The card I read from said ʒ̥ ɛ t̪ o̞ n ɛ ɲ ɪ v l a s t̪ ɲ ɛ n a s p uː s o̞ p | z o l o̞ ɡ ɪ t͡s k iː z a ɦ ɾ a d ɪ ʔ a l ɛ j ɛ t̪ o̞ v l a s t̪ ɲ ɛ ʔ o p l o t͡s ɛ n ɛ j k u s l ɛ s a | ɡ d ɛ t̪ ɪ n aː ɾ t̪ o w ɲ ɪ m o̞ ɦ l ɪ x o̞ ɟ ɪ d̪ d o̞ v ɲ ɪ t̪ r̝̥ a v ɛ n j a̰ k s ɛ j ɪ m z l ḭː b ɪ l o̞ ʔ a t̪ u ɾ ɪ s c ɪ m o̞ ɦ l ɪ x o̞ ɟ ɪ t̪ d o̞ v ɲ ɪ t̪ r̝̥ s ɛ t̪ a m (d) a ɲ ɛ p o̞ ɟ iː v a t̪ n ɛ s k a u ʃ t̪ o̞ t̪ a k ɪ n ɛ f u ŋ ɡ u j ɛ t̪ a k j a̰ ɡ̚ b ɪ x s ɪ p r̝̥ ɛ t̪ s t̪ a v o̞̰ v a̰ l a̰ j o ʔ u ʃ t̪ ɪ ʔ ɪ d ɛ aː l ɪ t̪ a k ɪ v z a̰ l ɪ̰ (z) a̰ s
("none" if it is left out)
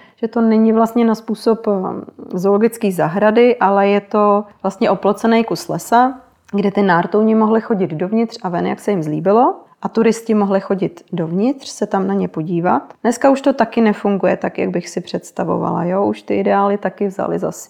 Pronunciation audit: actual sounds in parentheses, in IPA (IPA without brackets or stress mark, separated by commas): n, z